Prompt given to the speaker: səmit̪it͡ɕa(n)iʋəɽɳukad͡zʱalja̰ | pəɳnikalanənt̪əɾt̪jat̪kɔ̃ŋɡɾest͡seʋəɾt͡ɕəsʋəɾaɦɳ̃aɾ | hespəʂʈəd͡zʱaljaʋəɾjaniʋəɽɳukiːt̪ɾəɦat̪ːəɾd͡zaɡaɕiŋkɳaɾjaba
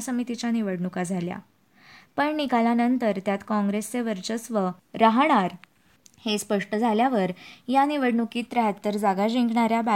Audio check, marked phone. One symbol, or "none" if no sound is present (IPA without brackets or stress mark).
n